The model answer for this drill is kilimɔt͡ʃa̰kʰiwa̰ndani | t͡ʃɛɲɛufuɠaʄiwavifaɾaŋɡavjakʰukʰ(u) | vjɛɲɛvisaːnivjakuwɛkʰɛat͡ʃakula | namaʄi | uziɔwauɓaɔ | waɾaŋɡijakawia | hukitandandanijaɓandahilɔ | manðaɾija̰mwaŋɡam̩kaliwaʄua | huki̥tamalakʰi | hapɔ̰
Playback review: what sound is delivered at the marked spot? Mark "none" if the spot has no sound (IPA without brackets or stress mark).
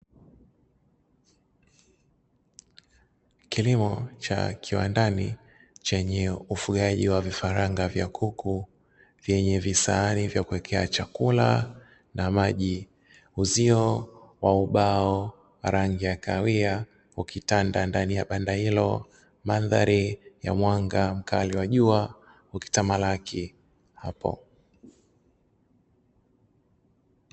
u